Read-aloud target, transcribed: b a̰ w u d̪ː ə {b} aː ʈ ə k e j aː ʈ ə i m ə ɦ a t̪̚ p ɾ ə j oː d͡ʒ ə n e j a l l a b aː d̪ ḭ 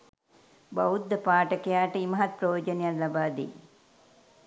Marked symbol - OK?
no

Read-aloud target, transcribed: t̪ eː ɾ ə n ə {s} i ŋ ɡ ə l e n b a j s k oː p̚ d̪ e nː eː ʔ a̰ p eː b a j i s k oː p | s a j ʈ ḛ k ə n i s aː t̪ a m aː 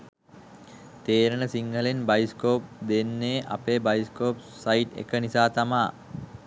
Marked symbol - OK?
yes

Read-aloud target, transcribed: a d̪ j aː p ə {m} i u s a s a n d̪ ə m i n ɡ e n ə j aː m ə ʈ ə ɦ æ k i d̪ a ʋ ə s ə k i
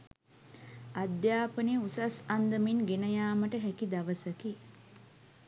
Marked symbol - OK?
no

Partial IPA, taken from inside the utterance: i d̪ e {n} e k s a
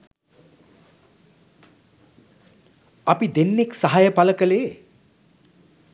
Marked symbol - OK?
no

